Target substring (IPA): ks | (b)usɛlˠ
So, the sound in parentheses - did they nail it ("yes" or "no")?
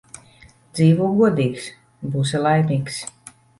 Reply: yes